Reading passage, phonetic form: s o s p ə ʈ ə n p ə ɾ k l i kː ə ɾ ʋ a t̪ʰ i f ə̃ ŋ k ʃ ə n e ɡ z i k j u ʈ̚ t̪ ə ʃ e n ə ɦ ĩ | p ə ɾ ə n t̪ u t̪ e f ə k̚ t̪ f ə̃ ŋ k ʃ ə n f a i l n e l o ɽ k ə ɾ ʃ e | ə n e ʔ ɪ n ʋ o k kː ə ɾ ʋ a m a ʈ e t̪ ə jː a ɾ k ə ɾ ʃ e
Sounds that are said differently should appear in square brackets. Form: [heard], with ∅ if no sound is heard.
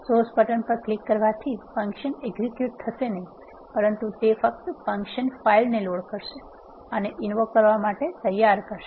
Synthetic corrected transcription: s o s p ə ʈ ə n p ə ɾ k l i kː ə ɾ ʋ a t̪ʰ i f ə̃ ŋ k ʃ ə n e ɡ z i k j u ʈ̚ [t̪ʰ] ə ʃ e n ə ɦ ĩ | p ə ɾ ə n t̪ u t̪ e f ə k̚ t̪ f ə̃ ŋ k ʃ ə n f a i l n e l o ɽ k ə ɾ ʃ e | ə n e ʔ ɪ n ʋ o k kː ə ɾ ʋ a m a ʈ e t̪ ə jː a ɾ k ə ɾ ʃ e